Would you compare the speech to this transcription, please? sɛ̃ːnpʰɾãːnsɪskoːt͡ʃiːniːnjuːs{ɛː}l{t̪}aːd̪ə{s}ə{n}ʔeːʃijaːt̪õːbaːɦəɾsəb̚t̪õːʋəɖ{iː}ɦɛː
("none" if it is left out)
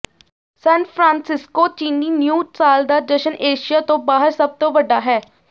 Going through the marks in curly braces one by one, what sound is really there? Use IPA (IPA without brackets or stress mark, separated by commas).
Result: aː, d̪, ʃ, n, aː